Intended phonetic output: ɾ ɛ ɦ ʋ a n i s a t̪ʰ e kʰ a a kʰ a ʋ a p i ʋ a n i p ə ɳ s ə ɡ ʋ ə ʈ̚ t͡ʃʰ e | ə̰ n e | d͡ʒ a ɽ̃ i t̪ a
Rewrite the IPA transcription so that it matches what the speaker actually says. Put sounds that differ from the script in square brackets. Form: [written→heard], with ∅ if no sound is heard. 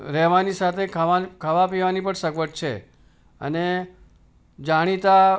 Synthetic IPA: ɾ ɛ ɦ ʋ a n i s a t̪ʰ e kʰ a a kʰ a ʋ a p i ʋ a n i p ə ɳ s ə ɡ ʋ ə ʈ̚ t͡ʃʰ e | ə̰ n e | d͡ʒ a ɽ̃ i t̪ a